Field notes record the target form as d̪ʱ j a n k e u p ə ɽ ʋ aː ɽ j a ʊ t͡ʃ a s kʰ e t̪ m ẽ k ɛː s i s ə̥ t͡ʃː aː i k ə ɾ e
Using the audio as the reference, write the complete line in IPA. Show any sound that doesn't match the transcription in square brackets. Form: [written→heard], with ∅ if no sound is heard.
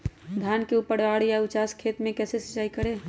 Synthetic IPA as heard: d̪ʱ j a n k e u p ə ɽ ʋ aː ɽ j a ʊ t͡ʃ a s kʰ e t̪ m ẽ k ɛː s [i→e] s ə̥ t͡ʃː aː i k ə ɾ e